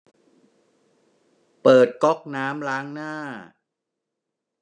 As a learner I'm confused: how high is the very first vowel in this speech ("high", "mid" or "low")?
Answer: mid